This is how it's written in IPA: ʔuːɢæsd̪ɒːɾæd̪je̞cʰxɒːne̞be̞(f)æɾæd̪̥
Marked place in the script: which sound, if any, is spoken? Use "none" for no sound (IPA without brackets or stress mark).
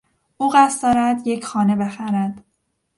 x